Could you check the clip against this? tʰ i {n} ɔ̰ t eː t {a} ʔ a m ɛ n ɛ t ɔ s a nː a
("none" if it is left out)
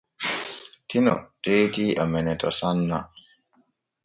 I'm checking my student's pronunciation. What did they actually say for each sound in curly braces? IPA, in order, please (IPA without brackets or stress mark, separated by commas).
n, i